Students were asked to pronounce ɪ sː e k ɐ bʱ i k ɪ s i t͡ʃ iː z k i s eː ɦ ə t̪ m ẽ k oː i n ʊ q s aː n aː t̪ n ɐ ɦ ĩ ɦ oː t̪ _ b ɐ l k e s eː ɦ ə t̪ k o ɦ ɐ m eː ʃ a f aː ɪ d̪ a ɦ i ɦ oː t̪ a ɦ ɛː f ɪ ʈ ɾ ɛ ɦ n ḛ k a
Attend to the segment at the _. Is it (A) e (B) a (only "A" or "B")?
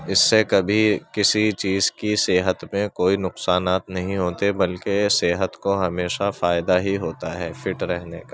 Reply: A